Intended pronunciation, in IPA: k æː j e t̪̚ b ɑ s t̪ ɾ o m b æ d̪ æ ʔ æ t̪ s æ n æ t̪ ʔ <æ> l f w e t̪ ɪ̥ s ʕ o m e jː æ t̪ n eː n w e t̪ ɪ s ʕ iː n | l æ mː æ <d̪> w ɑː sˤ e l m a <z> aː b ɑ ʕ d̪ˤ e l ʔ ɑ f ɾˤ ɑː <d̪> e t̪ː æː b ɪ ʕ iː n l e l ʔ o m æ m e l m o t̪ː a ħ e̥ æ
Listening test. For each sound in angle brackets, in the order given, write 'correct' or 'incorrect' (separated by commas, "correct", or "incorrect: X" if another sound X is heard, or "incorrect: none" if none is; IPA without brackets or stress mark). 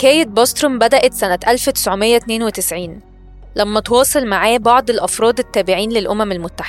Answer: correct, incorrect: t̪, incorrect: ʕ, correct